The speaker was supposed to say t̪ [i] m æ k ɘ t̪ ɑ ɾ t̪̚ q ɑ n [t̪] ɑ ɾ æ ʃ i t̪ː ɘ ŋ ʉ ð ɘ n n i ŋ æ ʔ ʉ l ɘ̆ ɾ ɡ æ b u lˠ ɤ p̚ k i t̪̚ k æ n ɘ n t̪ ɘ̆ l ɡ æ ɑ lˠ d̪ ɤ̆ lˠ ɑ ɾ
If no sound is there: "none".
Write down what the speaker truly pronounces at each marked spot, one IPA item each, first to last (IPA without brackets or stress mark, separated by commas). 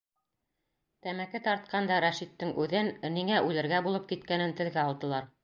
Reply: æ, d̪